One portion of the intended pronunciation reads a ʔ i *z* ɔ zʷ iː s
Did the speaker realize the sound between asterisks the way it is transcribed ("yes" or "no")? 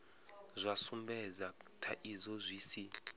yes